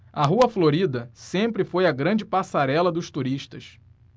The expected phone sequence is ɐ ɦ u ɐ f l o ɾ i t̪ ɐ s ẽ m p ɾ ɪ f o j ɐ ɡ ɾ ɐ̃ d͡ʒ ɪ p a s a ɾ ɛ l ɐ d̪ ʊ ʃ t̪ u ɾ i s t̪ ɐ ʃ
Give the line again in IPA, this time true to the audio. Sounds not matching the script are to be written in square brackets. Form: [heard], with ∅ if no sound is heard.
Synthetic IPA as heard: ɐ ɦ u ɐ f l o ɾ i [d̪] ɐ s ẽ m p ɾ ɪ f o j ɐ ɡ ɾ ɐ̃ d͡ʒ ɪ p a s a ɾ ɛ l ɐ d̪ ʊ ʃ t̪ u ɾ i [ʃ] t̪ ɐ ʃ